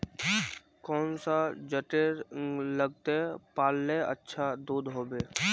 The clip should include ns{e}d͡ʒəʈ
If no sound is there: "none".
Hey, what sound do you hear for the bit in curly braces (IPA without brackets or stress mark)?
a